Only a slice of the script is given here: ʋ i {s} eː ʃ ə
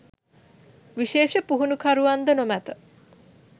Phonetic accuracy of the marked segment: incorrect: ʃ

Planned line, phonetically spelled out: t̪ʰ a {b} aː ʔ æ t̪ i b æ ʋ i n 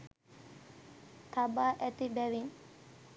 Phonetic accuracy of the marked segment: correct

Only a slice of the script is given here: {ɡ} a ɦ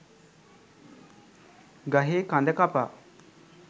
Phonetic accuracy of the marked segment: correct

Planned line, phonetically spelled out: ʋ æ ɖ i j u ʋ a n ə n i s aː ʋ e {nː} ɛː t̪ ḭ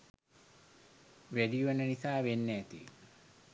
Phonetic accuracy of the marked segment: correct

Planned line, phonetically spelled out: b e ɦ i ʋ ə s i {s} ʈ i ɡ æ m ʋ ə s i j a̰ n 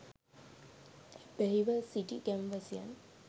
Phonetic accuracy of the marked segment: incorrect: none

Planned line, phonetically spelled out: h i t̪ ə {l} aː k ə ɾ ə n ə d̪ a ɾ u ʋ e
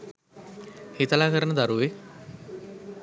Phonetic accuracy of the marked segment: correct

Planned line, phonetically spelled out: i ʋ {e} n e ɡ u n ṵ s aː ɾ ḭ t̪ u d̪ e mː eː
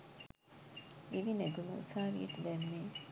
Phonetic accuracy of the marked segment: incorrect: i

